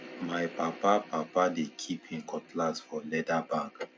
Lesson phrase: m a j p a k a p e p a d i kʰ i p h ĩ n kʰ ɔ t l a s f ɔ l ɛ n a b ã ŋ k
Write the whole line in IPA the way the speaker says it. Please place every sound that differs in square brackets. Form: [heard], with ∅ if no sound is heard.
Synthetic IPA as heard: m a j p a [p] a p [a] p a d [e] kʰ i p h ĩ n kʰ ɔ t l a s f ɔ l ɛ [d] a b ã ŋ k